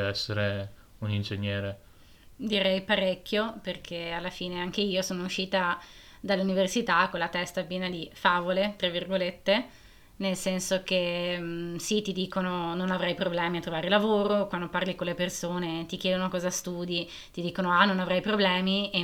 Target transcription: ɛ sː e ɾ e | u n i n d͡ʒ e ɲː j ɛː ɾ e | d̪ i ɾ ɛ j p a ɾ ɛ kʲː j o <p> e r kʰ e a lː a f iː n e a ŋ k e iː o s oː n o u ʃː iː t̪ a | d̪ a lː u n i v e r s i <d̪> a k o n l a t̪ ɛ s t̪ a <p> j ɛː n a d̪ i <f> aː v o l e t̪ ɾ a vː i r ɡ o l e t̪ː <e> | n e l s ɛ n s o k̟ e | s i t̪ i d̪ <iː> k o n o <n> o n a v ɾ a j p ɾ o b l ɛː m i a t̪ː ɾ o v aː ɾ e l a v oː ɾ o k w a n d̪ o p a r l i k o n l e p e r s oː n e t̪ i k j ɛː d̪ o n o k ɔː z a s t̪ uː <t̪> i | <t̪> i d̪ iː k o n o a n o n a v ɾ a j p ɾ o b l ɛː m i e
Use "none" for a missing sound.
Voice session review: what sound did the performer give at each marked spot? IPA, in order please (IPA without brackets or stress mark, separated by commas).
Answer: p, t̪, p, f, e, iː, n, d̪, t̪